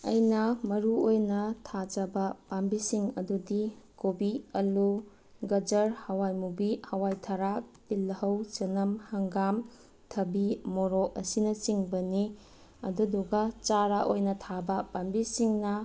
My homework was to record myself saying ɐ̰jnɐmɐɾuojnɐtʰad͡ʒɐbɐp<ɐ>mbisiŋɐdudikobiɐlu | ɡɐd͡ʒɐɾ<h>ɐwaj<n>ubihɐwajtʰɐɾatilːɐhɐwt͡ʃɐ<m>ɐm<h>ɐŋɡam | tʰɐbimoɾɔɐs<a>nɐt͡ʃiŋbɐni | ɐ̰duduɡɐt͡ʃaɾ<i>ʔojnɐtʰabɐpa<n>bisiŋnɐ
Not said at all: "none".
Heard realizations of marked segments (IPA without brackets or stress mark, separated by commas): a, h, m, n, h, i, a, m